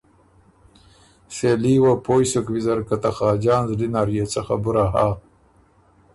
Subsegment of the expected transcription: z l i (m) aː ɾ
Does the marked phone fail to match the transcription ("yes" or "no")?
yes